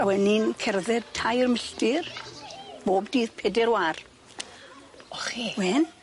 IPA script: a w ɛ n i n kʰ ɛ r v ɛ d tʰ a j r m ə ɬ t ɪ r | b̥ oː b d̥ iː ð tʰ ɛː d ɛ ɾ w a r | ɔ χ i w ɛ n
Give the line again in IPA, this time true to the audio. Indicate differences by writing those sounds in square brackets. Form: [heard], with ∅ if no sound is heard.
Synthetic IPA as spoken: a w ɛ n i n kʰ ɛ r [ð] ɛ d tʰ a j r m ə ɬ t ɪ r | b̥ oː b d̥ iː ð [pʰ] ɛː d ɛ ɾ w a r | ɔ χ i w ɛ n